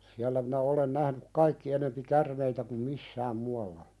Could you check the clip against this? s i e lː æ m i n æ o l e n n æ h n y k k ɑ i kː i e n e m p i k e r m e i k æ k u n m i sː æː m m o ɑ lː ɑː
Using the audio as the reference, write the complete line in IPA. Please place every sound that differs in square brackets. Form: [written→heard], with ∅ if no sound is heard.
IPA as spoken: s i [e→æ] lː æ m i n æ o l e n n æ h n y k k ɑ i kː i e n e m p i k [e→æ] r m e i [k→t] æ k u [n→m] m i sː æː m m [o→u] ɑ lː [ɑː→ɑ]